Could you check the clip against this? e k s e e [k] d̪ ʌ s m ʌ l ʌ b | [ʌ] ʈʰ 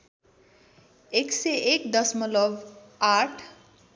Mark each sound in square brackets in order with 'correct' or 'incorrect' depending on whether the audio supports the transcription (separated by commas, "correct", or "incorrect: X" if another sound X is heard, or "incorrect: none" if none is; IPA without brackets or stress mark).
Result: correct, incorrect: a